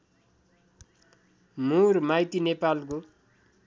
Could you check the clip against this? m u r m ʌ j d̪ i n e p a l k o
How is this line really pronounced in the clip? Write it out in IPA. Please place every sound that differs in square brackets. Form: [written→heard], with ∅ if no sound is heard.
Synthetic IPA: m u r m [ʌ→a] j [d̪→t̪] i n e p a l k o